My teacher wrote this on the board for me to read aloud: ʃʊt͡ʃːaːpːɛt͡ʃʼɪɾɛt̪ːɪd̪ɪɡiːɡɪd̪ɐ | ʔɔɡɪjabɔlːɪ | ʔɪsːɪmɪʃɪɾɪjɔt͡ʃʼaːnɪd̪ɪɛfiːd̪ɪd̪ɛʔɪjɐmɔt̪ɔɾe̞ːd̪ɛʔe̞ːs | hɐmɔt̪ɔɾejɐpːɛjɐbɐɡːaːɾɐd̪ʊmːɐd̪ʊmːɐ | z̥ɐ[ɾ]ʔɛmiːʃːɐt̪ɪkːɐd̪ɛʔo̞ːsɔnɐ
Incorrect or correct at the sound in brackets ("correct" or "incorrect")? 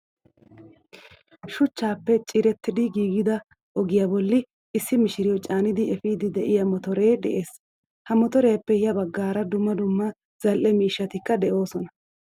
incorrect